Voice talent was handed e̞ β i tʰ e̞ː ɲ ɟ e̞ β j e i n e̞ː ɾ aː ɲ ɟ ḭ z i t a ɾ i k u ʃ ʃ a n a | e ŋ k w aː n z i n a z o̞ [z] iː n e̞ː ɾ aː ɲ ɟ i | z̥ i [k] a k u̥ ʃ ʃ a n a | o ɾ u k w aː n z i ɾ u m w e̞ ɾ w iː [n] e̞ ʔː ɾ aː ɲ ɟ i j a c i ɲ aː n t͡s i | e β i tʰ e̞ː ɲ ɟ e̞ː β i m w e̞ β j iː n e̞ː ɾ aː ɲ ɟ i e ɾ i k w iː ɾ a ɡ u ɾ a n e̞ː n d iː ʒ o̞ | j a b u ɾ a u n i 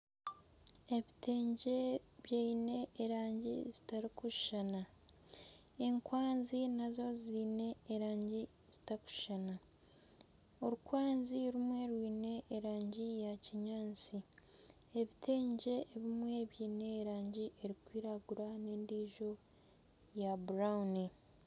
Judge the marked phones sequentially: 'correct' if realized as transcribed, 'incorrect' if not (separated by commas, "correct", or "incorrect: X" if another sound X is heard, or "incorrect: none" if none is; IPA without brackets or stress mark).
correct, incorrect: t, correct